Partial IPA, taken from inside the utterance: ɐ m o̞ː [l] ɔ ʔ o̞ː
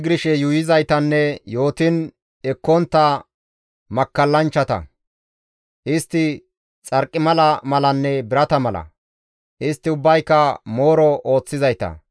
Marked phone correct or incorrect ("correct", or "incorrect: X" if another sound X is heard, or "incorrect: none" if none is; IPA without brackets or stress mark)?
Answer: incorrect: ɾ